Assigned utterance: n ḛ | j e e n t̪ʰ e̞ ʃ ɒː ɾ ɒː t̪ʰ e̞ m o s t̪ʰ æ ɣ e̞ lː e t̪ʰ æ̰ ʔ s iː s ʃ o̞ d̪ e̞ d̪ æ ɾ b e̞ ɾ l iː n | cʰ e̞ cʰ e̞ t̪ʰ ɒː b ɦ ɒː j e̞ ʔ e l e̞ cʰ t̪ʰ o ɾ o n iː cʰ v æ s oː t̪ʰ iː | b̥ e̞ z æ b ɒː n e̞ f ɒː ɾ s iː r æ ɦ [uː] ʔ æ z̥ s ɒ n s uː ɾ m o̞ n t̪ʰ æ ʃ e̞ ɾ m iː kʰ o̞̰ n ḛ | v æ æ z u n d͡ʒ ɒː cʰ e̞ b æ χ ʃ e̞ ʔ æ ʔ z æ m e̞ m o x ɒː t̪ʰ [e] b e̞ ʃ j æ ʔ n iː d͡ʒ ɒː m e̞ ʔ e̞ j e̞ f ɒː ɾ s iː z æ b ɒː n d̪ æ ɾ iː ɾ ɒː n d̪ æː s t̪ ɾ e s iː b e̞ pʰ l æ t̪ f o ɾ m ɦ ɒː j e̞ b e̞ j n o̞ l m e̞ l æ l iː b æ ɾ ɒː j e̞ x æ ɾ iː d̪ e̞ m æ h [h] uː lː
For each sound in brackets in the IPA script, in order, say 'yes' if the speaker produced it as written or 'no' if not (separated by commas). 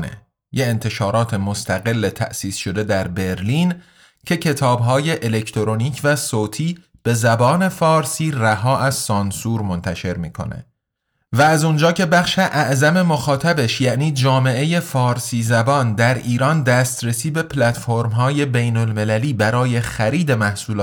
no, no, no